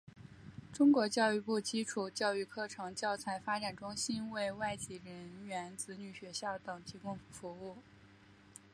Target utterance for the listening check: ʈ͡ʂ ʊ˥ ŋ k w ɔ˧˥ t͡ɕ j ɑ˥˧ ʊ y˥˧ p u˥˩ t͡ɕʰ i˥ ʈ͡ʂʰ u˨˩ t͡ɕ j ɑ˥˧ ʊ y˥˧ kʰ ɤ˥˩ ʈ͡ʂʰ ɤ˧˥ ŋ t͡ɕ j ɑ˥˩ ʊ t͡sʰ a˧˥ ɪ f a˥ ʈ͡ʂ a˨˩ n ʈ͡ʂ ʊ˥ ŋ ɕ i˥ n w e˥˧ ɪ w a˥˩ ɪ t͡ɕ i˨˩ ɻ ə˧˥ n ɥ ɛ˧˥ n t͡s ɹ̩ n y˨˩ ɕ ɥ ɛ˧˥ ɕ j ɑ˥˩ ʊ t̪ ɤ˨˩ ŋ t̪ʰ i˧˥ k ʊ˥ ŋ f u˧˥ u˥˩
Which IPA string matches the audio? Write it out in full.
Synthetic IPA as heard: ʈ͡ʂ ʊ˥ ŋ k w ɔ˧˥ t͡ɕ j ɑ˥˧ ʊ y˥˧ p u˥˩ t͡ɕ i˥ ʈ͡ʂʰ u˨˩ t͡ɕ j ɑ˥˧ ʊ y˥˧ kʰ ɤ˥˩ ʈ͡ʂʰ ɤ˧˥ ŋ t͡ɕ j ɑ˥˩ ʊ t͡sʰ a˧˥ ɪ f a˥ ʈ͡ʂ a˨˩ n ʈ͡ʂ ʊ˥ ŋ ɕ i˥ n w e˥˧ ɪ w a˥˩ ɪ t͡ɕ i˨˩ ɻ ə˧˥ n ɥ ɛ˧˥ n t͡s ɹ̩ n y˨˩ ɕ ɥ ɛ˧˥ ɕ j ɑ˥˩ ʊ t̪ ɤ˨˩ ŋ t̪ʰ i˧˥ k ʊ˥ ŋ f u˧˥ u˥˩